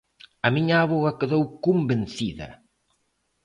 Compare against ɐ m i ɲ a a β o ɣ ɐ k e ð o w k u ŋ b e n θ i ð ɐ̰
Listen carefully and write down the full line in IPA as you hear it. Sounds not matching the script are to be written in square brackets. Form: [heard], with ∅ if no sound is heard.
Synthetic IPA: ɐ m i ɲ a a β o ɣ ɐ k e ð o w k u [m] b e n θ i ð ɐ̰